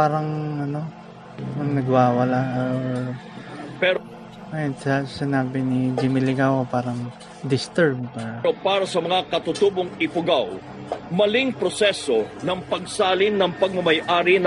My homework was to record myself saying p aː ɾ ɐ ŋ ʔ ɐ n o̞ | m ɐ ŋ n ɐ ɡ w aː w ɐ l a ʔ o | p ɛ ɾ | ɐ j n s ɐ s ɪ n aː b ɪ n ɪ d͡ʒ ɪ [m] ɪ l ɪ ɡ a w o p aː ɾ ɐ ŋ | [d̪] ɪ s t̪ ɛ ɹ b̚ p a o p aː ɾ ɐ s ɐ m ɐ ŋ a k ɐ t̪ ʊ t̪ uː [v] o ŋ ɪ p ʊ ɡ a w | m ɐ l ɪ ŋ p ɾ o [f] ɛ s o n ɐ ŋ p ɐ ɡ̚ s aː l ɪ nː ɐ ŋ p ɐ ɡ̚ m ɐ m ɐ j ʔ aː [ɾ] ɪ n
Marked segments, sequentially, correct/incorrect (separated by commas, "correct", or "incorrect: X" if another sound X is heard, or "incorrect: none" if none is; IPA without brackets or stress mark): correct, correct, incorrect: b, incorrect: s, correct